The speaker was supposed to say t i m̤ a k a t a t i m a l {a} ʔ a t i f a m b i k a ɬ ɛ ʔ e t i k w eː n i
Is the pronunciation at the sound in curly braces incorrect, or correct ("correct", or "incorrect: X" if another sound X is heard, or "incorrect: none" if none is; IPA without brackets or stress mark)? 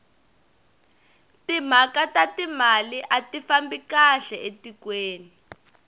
incorrect: i